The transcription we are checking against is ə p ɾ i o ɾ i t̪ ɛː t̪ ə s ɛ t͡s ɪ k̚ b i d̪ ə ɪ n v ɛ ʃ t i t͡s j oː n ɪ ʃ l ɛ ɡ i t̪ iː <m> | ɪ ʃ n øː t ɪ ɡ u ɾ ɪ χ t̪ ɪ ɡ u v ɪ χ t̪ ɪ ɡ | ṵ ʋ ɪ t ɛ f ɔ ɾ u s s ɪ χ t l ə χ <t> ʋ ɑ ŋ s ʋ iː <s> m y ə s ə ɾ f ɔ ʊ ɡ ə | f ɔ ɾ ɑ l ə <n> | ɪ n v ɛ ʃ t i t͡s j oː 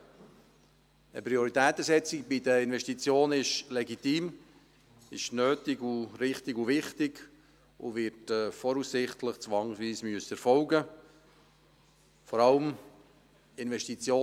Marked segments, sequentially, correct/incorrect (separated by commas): correct, incorrect, correct, incorrect